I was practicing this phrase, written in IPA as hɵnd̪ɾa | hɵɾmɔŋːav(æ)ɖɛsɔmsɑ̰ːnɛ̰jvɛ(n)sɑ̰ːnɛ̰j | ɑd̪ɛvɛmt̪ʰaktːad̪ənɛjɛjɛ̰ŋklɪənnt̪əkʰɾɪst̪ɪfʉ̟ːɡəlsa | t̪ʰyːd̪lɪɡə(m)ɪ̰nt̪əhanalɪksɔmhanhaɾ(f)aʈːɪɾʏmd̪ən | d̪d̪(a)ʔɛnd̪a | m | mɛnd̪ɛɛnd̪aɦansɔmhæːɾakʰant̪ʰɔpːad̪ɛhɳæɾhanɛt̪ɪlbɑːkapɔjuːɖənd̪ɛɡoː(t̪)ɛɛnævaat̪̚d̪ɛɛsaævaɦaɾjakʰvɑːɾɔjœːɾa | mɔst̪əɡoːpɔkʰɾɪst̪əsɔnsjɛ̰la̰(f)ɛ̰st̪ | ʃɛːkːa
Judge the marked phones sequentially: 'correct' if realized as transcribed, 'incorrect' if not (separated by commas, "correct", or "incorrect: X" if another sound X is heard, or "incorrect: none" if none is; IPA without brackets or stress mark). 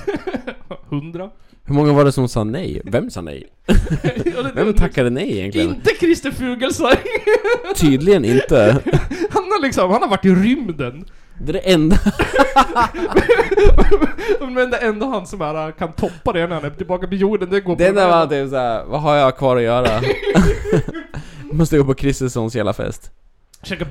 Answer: incorrect: a, incorrect: m, incorrect: n, incorrect: v, incorrect: ɛ, incorrect: d̪, correct